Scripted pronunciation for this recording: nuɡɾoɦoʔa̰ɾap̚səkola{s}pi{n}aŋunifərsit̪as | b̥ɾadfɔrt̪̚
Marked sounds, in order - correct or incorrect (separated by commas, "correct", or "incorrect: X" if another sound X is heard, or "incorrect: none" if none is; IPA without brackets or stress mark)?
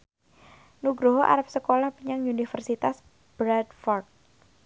incorrect: h, incorrect: ɲ